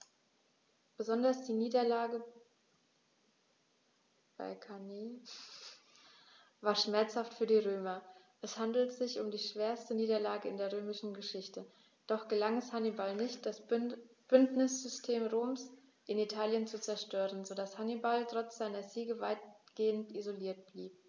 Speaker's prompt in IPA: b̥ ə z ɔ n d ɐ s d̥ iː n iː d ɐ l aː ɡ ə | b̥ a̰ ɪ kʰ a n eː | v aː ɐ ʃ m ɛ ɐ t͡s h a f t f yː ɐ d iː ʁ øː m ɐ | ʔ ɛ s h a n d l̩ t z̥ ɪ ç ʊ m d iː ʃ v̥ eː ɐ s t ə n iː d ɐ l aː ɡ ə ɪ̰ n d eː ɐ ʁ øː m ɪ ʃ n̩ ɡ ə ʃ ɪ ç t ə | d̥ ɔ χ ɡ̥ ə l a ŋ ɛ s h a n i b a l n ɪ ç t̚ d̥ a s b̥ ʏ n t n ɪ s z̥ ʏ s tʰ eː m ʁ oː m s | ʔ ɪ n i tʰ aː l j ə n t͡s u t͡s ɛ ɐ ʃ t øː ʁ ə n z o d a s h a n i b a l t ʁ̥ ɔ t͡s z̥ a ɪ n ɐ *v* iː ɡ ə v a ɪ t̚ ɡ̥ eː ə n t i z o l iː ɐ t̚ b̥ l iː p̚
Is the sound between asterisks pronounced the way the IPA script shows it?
no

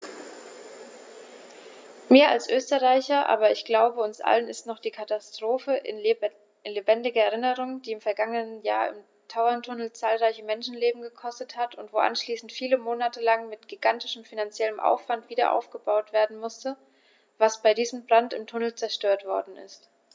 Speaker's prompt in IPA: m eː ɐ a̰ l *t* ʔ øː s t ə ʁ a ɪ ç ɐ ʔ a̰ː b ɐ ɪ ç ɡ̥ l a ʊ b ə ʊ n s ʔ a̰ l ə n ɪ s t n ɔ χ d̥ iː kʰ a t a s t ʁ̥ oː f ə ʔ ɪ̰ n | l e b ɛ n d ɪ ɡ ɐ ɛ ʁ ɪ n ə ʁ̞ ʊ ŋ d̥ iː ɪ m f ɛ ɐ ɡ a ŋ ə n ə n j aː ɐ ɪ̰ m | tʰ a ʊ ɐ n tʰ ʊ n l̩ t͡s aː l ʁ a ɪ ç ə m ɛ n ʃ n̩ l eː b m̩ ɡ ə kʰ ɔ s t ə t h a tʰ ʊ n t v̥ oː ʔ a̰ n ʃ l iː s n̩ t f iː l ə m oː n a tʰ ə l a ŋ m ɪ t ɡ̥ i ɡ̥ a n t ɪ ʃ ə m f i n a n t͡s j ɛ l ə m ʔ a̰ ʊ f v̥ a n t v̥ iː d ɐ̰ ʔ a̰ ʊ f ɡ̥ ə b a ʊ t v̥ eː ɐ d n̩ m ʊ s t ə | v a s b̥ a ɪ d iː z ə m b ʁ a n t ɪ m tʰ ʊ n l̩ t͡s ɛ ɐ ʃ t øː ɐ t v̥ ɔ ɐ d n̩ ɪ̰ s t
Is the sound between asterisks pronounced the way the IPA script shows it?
no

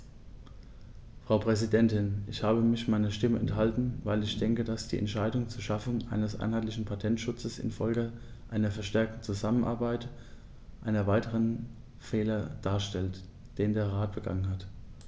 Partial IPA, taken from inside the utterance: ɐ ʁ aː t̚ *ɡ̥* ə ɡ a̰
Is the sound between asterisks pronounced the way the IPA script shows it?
no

